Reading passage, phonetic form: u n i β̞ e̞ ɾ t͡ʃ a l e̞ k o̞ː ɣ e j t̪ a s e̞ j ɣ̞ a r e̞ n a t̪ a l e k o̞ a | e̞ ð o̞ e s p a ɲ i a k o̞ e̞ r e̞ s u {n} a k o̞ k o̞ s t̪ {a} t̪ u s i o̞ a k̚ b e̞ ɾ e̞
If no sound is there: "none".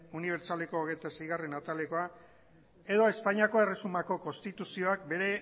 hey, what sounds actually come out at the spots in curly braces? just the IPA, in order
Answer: m, i

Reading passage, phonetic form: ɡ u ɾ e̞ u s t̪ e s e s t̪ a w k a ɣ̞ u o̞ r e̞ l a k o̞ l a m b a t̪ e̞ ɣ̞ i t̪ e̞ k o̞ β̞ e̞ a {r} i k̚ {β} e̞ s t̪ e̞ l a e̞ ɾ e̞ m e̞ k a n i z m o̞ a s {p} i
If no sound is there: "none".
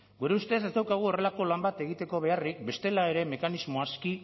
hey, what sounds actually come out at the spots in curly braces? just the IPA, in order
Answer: r, b, k

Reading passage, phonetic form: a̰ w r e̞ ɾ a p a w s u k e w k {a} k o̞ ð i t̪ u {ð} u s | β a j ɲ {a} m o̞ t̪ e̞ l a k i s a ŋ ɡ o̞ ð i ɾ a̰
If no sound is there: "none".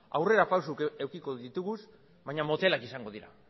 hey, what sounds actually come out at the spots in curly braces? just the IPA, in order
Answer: i, ɣ, a

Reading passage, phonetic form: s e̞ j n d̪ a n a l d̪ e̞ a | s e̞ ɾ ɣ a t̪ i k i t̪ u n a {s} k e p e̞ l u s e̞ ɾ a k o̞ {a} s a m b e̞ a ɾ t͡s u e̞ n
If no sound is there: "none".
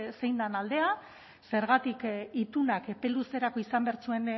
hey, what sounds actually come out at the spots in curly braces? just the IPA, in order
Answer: none, i

